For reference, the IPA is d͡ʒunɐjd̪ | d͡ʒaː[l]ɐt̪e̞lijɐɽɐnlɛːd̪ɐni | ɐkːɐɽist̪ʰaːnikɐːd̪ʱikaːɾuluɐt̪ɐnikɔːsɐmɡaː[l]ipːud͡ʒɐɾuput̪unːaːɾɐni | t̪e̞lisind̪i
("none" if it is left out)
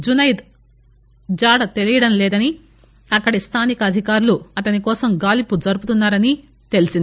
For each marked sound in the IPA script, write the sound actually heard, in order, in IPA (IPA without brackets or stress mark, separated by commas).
ɽ, l